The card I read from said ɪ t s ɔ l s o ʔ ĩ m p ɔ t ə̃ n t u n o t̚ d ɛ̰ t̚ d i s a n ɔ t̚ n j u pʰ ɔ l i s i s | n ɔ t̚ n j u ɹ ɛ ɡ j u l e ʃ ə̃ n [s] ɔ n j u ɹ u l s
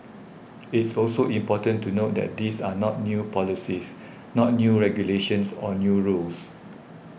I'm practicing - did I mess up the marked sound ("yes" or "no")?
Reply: no